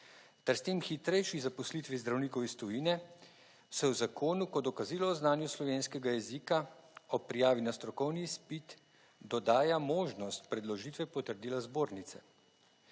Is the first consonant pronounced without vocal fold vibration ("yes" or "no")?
yes